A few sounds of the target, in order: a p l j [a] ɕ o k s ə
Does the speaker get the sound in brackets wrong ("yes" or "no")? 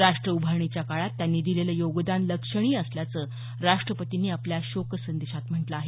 no